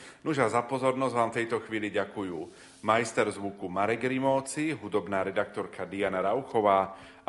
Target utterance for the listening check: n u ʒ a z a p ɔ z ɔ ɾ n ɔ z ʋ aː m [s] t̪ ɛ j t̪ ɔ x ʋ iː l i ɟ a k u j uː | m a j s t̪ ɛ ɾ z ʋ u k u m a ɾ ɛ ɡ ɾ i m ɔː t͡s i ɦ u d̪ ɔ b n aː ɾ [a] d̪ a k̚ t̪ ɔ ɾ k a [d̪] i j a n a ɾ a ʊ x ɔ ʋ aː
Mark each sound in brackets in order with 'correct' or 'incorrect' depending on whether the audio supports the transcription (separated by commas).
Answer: incorrect, incorrect, correct